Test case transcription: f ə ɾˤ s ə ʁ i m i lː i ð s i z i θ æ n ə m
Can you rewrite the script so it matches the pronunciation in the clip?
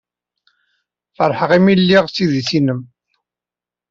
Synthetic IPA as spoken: f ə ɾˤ ħ ə ʁ i m i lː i ʁ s i ð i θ i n ə m